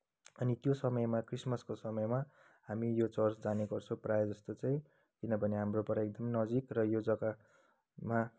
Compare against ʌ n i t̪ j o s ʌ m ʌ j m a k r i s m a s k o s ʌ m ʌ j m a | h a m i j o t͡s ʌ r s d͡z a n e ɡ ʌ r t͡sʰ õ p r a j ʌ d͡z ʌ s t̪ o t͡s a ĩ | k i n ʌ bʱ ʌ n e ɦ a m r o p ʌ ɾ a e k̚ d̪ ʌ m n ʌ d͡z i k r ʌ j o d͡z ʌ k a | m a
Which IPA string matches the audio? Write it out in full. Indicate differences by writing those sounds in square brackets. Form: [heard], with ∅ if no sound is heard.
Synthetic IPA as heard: ʌ n i t̪ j o s ʌ m ʌ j m a k r i s m [ʌ] s k o s ʌ m ʌ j m a | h a m i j o t͡s ʌ r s d͡z a n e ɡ ʌ r t͡sʰ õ p r a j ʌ d͡z ʌ s t̪ o t͡s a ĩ | k i n ʌ bʱ ʌ n e ɦ a m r o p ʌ ɾ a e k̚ d̪ ʌ m n ʌ d͡z i k r ʌ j o d͡z ʌ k a | m a